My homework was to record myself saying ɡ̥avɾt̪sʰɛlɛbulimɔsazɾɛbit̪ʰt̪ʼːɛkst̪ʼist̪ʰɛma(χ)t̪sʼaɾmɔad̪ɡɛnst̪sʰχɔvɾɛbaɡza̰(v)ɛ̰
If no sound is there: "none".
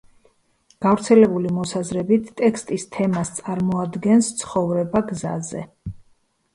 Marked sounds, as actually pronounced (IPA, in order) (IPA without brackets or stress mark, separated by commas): s, z